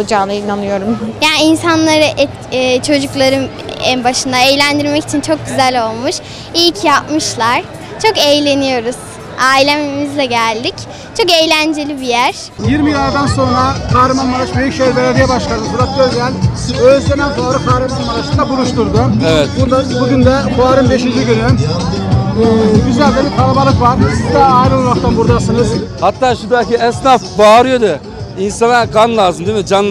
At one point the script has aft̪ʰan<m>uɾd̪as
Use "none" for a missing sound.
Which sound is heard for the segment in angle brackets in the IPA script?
b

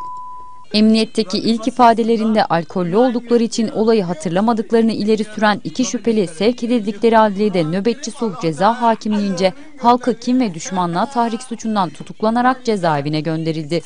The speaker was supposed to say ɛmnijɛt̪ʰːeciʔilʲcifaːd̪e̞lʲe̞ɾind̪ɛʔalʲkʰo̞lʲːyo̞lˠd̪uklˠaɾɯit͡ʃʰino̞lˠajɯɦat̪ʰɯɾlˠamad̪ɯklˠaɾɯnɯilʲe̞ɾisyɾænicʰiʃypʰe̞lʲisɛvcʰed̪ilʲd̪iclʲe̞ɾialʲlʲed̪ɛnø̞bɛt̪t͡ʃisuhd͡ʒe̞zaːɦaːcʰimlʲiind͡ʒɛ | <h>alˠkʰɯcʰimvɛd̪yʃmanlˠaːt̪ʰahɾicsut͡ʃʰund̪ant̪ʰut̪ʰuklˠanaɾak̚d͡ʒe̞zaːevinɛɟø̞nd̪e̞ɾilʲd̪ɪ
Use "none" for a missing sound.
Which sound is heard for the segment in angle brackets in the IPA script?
h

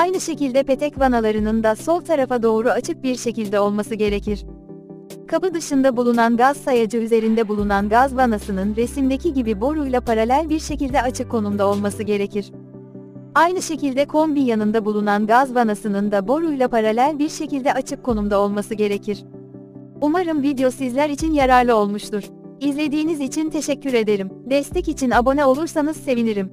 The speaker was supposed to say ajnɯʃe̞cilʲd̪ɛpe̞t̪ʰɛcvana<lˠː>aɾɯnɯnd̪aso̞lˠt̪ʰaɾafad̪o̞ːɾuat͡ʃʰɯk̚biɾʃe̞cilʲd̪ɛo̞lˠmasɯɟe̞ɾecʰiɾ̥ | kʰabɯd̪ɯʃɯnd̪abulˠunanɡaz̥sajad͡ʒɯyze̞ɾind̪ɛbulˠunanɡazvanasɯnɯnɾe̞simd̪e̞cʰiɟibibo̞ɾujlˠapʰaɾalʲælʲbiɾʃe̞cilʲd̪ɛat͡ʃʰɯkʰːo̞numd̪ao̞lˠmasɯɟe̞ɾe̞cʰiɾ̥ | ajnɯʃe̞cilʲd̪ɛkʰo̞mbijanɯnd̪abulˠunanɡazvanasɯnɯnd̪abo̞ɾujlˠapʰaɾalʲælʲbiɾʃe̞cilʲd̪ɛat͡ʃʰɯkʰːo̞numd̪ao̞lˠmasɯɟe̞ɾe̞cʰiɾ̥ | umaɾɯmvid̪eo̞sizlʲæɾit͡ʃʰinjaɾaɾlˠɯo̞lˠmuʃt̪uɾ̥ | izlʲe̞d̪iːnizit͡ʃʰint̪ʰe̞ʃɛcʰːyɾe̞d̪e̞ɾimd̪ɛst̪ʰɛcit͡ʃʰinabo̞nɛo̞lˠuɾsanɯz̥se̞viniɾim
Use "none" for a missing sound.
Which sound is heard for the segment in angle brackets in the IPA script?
lˠ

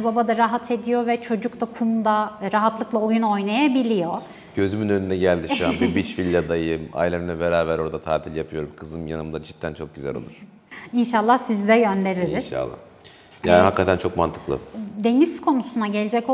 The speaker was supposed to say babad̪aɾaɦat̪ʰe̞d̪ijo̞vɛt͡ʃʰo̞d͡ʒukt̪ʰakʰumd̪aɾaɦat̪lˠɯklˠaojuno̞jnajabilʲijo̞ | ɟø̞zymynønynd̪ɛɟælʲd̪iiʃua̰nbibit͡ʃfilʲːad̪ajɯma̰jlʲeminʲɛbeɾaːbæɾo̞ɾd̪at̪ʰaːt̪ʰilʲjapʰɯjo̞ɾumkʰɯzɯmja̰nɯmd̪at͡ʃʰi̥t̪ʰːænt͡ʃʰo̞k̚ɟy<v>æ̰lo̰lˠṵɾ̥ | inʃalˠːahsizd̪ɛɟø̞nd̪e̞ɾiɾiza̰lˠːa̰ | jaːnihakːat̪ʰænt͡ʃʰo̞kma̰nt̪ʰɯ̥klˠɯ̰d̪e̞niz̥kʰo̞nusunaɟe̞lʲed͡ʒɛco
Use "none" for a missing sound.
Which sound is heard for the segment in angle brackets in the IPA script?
z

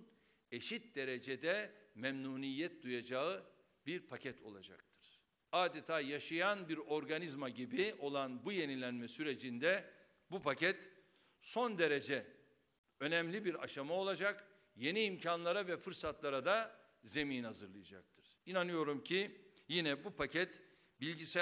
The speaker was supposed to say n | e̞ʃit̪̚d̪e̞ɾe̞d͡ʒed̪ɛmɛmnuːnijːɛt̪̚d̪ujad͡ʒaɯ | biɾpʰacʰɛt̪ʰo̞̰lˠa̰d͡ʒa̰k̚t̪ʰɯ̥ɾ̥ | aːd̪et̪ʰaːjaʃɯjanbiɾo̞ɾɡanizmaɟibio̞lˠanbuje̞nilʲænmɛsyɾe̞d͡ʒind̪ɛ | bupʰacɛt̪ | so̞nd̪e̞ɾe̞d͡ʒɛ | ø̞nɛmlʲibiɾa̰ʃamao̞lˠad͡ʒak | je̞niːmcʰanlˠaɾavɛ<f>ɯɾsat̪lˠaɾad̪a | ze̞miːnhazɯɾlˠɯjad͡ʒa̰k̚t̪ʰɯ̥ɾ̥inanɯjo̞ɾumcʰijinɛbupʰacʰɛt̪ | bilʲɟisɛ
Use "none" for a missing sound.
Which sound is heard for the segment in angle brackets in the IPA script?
f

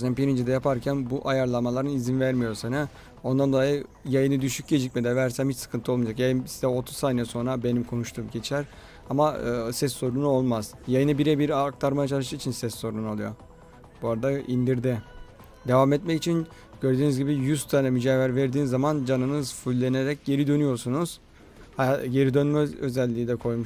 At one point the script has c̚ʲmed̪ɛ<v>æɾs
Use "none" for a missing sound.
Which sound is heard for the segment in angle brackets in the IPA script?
v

